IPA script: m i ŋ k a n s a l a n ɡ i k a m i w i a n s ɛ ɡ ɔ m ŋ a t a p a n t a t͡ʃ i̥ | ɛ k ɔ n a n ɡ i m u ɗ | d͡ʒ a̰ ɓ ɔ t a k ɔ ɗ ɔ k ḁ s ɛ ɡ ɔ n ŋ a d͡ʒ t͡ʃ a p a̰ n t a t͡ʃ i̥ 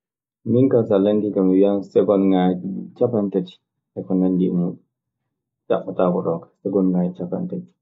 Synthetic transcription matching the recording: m i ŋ k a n s a l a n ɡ i k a m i w i a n s ɛ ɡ ɔ n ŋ a t͡ʃ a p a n t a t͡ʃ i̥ | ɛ k ɔ n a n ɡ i m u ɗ | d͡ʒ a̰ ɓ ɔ t a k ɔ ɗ ɔ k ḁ s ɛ ɡ ɔ n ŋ a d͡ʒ t͡ʃ a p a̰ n t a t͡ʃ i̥

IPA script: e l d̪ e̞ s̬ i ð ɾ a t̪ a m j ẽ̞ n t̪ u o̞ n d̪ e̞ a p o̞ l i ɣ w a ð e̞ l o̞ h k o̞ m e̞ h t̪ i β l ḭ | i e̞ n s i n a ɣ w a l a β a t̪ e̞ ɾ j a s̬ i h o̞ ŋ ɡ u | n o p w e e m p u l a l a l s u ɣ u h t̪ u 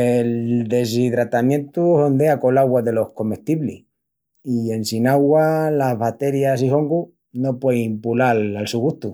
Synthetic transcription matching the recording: e l d̪ e̞ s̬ i ð ɾ a t̪ a m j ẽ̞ n t̪ u o̞ n d̪ e̞ a k o̞ l a ɣ w a ð e̞ l o̞ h k o̞ m e̞ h t̪ i β l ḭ | i e̞ n s i n a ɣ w a l a β a t̪ e̞ ɾ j a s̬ i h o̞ ŋ ɡ u | n o p w e i m p u l a l a l s u ɣ u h t̪ u

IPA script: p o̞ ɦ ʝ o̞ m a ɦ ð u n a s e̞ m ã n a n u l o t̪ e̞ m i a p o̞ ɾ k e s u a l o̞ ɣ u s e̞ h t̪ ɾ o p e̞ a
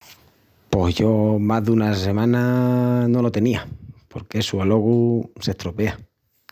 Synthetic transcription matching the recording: p o̞ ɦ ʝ o̞ m a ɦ ð u n a s e̞ m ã n a n o l o t̪ e̞ n i a p o̞ ɾ k e s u a l o̞ ɣ u s e̞ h t̪ ɾ o p e̞ a

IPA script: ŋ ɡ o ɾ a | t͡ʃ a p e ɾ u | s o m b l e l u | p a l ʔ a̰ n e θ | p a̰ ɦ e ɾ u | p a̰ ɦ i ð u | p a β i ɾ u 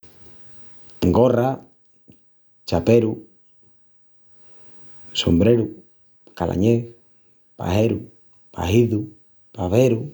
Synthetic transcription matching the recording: ŋ ɡ o r a | t͡ʃ a p e ɾ u | s o m b ɾ e ɾ u | k a l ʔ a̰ ɲ e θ | p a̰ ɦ e ɾ u | p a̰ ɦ i ð u | p a β e ɾ u

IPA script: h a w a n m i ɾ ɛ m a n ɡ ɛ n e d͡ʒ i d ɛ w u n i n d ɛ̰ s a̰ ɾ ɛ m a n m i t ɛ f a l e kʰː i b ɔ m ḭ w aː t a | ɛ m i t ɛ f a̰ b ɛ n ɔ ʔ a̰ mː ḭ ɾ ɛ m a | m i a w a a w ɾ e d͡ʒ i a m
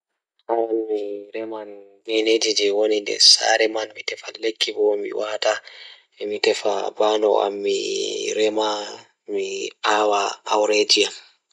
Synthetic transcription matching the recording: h a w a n m i ɾ ɛ m a n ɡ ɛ n e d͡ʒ i d͡ʒ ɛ w o n i n d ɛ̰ s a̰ ɾ ɛ m a n m i t ɛ f a l e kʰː i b ɔ m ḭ w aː t a | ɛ m i t ɛ f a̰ b a n ɔ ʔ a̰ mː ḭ ɾ ɛ m a | m i a w a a w ɾ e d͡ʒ i a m

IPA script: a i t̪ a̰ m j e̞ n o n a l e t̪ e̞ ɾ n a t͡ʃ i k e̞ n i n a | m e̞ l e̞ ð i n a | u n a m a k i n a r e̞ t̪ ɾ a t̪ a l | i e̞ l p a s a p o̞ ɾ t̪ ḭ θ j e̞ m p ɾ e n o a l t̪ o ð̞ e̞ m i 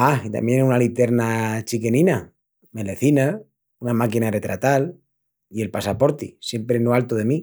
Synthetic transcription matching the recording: a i t̪ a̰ m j e̞ n u n a l i t̪ e̞ ɾ n a t͡ʃ i k e̞ n i n a | m e̞ l e̞ θ i n a | u n a m a k i n a r e̞ t̪ ɾ a t̪ a l | i e̞ l p a s a p o̞ ɾ t̪ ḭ s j e̞ m p ɾ e n o a l t̪ o ð̞ e̞ m i

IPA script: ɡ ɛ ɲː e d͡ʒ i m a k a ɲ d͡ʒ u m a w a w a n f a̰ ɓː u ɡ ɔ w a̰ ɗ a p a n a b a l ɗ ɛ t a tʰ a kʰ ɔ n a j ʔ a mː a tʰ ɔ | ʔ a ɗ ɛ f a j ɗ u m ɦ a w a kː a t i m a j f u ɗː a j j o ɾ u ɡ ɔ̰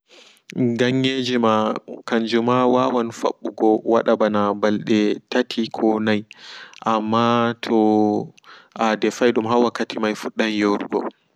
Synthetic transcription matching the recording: ɡ a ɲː e d͡ʒ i m a k a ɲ d͡ʒ u m a w a w a n f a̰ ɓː u ɡ ɔ w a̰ ɗ a b a n a b a l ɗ ɛ t a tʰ i kʰ ɔ n a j ʔ a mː a tʰ ɔ | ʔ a d ɛ f a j ɗ u m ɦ a w a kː a t i m a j f u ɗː a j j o ɾ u ɡ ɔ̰

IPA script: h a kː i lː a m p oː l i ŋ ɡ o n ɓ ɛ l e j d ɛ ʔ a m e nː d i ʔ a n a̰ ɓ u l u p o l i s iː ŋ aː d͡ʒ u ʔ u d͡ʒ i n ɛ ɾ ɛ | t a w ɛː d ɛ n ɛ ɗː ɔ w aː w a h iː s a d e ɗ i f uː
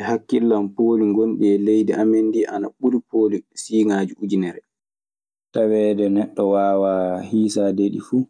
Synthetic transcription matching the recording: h a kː i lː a m p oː l i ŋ ɡ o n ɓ ɛ l e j d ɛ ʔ a m e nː d i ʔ a n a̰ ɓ u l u p o l i s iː ŋ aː d͡ʒ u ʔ u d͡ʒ i n ɛ ɾ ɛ | t a w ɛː d ɛ n ɛ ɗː ɔ w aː w a h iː s a d e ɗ i f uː

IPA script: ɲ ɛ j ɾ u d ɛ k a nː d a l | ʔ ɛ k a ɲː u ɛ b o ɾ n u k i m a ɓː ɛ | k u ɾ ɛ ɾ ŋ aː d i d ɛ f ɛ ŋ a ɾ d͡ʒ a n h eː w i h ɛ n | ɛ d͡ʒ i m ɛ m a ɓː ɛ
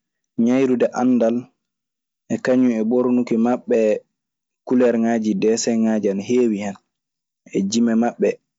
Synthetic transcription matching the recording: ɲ a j ɾ u d ɛ ʔ a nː d a l | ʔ ɛ k a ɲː u ɛ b o ɾ n u k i m a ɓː ɛ | k u l ɛ ɾ ŋ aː d͡ʒ i d ɛ s ɛ ŋ a d͡ʒ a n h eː w i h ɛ n | ɛ d͡ʒ i m ɛ m a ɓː ɛ

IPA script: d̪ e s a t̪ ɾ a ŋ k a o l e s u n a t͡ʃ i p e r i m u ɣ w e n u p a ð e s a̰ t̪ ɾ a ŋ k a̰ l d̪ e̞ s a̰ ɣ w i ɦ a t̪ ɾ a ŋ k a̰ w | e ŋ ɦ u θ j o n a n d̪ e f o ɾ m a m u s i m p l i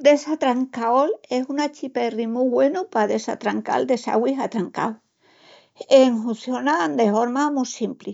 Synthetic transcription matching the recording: d̪ e s a t̪ ɾ a ŋ k a o l e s u n a t͡ʃ i p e r i m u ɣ w e n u p a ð e s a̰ t̪ ɾ a ŋ k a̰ l d̪ e̞ s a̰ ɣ w i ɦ a t̪ ɾ a ŋ k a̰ w | e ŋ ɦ u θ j o n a n d̪ e f o ɾ m a m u s i m p l i

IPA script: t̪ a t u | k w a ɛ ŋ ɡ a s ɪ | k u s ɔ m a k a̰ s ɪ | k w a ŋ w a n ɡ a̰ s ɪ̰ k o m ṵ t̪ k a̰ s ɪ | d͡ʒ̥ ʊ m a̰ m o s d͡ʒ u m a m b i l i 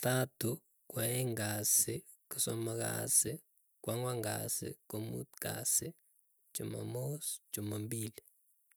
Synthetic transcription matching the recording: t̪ a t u | k w a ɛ ŋ ɡ a s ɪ | k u s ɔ m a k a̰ s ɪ | k w a ŋ w a ŋ ɡ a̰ s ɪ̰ k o m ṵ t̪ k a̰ s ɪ | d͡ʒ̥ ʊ m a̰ m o s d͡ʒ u m a m b i l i

